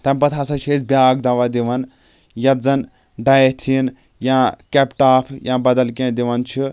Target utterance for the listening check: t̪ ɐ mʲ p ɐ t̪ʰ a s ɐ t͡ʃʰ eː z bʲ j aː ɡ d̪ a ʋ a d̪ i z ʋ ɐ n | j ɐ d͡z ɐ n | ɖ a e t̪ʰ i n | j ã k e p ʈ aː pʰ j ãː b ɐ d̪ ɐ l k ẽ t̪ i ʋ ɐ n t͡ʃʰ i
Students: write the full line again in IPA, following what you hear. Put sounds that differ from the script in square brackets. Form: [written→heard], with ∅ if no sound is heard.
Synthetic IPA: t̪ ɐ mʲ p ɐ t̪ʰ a s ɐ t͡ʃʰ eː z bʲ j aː ɡ d̪ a ʋ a d̪ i [z→∅] ʋ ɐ n | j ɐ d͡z ɐ n | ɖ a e t̪ʰ i n | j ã k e p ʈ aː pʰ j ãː b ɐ d̪ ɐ l k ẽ [t̪→d̪] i ʋ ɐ n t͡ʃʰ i